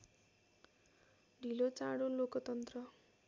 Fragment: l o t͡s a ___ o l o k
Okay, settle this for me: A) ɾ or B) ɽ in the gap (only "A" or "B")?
B